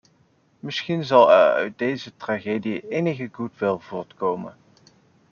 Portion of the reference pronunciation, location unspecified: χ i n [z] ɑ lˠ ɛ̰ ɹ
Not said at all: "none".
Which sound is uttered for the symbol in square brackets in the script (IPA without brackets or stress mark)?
z